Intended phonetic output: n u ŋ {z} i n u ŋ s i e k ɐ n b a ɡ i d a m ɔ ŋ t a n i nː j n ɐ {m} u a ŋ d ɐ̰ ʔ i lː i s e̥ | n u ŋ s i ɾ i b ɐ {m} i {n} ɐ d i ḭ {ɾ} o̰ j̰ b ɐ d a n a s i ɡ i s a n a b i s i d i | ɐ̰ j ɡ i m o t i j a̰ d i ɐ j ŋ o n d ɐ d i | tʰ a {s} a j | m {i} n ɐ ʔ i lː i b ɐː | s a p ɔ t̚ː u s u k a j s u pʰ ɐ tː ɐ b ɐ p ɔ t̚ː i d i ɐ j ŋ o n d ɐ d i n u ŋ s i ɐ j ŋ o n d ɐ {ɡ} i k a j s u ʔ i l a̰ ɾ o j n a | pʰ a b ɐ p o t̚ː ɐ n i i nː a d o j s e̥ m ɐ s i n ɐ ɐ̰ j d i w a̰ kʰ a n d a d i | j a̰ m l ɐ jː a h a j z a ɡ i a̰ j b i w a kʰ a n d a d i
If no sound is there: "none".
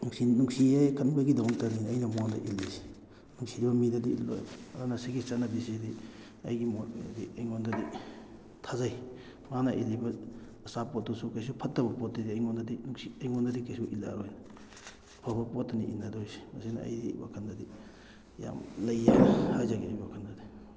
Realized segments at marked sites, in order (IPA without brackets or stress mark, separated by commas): s, m, m, d, l, z, a, d